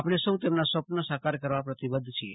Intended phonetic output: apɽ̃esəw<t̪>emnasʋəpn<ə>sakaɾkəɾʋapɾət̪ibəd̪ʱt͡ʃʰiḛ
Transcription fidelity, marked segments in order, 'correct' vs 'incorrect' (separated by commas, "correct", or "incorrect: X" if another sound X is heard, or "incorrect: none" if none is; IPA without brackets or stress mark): correct, correct